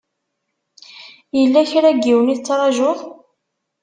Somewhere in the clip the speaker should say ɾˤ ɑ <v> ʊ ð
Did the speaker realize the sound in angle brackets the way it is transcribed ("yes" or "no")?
no